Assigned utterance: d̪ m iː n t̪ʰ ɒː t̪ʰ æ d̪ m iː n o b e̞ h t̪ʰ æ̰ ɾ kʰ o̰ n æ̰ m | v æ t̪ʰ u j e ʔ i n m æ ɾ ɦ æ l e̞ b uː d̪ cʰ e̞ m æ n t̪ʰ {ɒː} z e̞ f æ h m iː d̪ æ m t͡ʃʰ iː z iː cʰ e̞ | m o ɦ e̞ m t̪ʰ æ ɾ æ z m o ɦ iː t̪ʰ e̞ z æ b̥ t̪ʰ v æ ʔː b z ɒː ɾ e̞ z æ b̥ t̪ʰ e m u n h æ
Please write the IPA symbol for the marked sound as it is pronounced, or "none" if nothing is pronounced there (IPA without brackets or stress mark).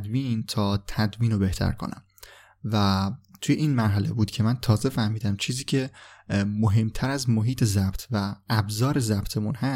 ɒː